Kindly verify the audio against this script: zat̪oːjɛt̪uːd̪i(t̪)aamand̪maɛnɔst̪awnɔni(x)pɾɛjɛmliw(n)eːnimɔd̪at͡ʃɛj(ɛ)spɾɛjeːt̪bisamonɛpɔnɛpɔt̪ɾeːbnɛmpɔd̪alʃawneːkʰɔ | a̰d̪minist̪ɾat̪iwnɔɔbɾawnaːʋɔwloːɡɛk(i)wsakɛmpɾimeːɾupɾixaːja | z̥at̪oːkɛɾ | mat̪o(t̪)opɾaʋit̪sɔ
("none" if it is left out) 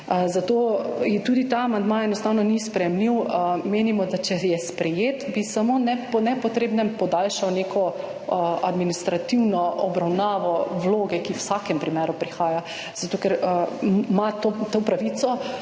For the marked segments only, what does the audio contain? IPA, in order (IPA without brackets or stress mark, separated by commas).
t̪, s, m, ɛ, i, t̪